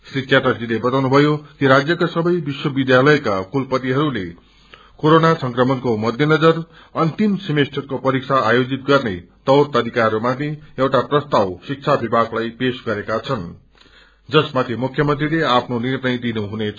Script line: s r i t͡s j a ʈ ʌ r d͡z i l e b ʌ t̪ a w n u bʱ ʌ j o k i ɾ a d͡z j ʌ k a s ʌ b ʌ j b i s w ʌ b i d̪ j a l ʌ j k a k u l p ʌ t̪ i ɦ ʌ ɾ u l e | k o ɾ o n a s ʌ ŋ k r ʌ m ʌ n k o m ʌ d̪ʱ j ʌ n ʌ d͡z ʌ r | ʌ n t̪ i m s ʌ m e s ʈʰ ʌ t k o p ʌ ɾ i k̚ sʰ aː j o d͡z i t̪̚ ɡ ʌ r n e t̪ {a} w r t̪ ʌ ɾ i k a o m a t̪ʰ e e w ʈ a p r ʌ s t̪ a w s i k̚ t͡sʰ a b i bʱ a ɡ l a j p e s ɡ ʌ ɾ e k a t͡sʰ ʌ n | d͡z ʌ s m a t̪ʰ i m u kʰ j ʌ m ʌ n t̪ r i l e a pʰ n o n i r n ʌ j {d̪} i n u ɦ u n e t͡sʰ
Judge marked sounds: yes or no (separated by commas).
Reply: no, yes